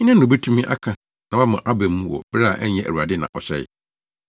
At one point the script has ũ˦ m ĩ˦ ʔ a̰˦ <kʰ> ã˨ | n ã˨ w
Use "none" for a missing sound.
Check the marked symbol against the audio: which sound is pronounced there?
kʰ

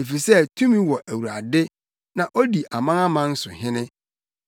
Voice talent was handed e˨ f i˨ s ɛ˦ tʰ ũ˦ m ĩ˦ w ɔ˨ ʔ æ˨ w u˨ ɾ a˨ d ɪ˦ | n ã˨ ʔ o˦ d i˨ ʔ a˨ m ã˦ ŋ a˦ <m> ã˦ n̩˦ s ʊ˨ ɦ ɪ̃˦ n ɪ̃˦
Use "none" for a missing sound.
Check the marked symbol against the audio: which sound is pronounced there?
m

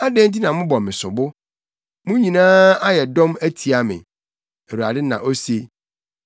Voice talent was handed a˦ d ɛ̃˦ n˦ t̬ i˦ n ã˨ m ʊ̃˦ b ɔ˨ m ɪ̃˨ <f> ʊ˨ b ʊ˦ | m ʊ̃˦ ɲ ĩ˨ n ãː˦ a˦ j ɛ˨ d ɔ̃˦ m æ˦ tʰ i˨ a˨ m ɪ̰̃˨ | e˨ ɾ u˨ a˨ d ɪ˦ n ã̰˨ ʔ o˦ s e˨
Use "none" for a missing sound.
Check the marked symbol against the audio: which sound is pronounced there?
s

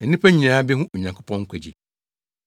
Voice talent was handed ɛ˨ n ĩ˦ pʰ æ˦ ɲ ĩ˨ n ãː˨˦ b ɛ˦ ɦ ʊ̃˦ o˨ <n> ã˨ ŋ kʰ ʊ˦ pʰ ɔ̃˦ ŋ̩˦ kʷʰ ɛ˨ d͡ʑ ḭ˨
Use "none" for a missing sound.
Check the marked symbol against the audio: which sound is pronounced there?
ɲ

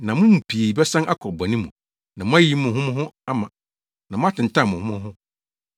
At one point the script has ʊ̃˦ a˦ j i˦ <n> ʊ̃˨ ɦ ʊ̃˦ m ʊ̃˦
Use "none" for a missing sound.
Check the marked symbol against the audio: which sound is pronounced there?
m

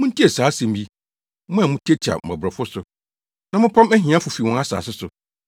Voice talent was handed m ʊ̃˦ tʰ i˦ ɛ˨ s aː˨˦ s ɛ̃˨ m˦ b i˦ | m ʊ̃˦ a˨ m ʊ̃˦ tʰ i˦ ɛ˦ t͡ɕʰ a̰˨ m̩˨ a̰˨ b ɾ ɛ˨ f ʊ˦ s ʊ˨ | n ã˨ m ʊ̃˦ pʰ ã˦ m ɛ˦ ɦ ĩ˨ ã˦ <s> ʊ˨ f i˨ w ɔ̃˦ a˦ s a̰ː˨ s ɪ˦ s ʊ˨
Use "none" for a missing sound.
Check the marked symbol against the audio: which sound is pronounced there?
f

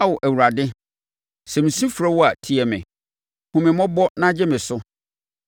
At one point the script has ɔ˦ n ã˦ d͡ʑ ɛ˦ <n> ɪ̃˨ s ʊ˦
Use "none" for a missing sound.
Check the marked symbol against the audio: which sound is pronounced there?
m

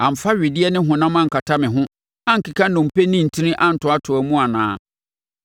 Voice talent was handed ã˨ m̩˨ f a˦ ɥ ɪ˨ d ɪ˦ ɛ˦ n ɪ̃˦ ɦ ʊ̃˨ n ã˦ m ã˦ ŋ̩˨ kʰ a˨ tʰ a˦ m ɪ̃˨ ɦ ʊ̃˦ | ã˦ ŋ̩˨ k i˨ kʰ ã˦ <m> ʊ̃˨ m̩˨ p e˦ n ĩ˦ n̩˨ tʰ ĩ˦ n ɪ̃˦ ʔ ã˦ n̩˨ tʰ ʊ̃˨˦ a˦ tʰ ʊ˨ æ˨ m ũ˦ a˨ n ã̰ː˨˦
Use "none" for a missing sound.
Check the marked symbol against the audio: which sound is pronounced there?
n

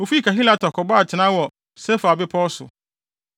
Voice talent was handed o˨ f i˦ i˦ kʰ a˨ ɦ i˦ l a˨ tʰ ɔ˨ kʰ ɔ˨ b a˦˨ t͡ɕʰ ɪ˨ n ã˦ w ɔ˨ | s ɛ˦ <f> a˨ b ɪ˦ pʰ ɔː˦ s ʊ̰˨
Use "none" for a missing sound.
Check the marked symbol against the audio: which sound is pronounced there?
f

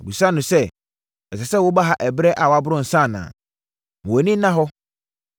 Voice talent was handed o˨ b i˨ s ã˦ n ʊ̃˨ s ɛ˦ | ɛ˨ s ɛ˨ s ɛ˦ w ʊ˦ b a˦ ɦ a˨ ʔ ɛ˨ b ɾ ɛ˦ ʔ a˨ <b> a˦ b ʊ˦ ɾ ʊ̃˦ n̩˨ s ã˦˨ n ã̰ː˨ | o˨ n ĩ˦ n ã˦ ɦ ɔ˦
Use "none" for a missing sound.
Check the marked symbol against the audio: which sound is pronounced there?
w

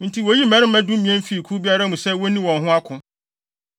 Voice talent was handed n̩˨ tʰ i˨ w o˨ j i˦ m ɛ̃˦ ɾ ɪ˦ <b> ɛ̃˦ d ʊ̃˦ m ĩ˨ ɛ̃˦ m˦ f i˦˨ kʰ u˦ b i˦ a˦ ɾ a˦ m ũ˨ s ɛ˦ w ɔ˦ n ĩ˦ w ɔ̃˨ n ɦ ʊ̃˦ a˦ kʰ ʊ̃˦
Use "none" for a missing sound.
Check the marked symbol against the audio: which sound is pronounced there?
m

